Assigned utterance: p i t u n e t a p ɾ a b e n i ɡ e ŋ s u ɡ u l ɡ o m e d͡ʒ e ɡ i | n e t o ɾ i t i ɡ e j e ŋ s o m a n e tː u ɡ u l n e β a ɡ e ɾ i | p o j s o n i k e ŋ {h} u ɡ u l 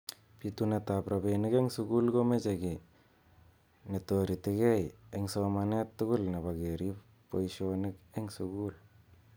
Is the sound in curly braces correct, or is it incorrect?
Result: incorrect